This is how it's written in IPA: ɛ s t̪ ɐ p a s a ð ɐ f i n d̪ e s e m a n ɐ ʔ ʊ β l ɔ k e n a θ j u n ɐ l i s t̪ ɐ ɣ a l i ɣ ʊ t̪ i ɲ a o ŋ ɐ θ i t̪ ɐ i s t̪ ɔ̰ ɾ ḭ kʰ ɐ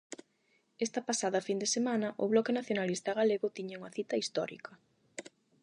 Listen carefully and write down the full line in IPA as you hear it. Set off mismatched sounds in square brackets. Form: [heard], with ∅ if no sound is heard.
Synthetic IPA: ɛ s t̪ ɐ p a s a ð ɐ f i n d̪ e s e m a n ɐ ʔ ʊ β l ɔ k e n a θ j [o] n [a] l i s t̪ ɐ ɣ a l [e] ɣ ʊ t̪ i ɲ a [u] ŋ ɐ θ i t̪ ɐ i s t̪ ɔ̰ ɾ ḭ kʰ ɐ